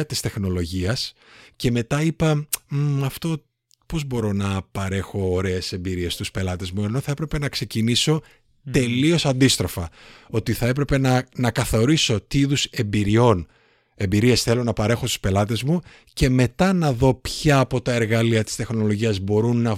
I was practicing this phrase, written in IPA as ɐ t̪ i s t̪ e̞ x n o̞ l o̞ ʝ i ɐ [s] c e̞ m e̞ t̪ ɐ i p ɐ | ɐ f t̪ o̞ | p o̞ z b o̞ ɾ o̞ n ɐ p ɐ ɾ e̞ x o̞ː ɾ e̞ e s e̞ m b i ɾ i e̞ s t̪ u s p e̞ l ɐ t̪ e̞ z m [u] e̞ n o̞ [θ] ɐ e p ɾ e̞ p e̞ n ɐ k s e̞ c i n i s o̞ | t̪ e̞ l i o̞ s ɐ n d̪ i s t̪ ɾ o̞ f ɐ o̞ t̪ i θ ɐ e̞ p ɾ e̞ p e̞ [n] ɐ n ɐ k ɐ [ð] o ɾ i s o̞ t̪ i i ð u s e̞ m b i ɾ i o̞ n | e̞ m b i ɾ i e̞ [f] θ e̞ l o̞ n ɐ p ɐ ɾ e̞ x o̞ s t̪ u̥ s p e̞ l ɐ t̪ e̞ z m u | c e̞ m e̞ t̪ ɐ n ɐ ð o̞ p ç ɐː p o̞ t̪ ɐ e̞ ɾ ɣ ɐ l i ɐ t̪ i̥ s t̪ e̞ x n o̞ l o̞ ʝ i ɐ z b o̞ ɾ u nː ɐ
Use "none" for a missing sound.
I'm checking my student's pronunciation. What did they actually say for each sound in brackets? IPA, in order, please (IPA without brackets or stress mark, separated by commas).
s, u, θ, n, θ, s